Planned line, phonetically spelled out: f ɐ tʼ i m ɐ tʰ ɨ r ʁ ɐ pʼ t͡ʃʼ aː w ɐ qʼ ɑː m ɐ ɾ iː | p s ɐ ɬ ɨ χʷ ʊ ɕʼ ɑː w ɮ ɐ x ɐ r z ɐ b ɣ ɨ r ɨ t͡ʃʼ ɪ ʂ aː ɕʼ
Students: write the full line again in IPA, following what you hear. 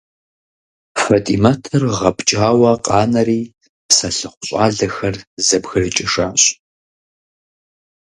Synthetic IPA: f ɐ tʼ i m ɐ tʰ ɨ r ʁ ɐ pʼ t͡ʃʼ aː w ɐ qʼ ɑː n ɐ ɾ iː | p s ɐ ɬ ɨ χʷ ʊ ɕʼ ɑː ɮ ɐ x ɐ r z ɐ b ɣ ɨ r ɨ t͡ʃʼ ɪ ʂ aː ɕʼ